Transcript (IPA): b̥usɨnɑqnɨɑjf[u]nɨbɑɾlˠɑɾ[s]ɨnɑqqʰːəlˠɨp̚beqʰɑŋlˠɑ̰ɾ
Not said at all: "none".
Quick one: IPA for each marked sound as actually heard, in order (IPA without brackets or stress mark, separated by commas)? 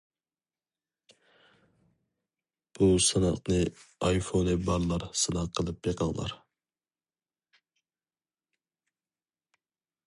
o, s